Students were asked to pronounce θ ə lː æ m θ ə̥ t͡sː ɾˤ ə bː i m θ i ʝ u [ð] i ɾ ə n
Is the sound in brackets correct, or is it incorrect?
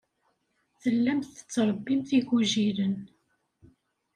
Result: incorrect